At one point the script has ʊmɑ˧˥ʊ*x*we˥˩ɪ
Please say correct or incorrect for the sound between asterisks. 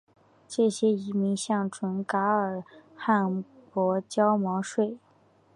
incorrect